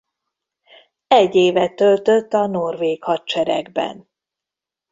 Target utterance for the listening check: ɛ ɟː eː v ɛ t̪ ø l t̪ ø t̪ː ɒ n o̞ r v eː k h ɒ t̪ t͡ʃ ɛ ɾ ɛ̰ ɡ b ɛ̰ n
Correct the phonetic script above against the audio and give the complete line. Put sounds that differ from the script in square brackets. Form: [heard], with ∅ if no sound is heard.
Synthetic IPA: ɛ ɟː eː v ɛ t̪ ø l t̪ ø t̪ː ɒ n o̞ r v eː k h ɒ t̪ t͡ʃ ɛ ɾ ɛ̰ ɡ b ɛ̰ n